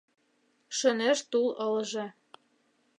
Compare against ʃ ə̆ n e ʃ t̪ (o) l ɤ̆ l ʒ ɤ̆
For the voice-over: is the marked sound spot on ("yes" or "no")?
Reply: no